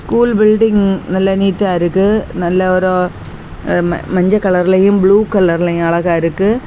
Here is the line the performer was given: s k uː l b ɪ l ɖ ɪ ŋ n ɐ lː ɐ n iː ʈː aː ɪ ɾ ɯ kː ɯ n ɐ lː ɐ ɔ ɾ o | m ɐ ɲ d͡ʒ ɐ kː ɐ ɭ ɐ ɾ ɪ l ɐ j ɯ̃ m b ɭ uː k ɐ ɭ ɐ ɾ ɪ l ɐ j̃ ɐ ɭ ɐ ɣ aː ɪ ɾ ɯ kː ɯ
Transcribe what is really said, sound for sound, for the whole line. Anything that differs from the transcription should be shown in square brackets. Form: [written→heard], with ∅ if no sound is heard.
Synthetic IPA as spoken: s k uː l b ɪ l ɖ ɪ ŋ n ɐ lː ɐ n iː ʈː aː ɪ ɾ ɯ kː ɯ n ɐ lː ɐ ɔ ɾ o | m ɐ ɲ d͡ʒ ɐ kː ɐ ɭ ɐ ɾ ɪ l ɐ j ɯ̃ m b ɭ uː k ɐ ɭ ɐ ɾ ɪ l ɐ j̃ ɐ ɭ ɐ ɣ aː ɪ ɾ ɯ kː ɯ